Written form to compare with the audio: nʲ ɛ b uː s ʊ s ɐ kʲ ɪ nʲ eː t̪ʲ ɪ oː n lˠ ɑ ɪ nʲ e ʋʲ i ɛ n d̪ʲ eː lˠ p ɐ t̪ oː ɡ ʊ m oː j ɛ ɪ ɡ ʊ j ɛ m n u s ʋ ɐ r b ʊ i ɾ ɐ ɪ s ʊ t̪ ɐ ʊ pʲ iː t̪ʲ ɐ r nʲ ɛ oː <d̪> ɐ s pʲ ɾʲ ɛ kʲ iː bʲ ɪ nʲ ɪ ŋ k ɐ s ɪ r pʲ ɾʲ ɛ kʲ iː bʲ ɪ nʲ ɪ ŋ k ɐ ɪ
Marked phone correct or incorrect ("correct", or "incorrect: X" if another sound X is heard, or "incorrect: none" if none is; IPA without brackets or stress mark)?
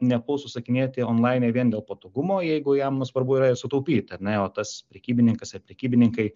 incorrect: t̪